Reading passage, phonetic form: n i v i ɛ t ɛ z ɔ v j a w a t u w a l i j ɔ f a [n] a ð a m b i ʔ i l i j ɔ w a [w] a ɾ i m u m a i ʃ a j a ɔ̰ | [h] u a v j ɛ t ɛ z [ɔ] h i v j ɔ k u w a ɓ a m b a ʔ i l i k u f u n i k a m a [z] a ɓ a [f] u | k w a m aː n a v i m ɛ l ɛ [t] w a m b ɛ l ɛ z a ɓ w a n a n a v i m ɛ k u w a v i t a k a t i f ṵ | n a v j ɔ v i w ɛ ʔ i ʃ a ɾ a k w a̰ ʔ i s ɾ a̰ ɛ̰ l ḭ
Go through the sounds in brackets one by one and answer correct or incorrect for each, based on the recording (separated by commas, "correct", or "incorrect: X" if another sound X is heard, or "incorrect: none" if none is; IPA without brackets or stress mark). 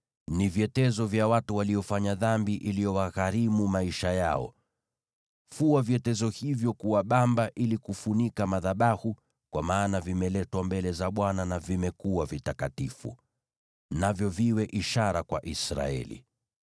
incorrect: ɲ, incorrect: ɣ, incorrect: f, correct, incorrect: ð, incorrect: h, correct